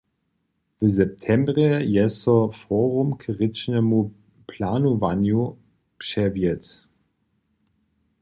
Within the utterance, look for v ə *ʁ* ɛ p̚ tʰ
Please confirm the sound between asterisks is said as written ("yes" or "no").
no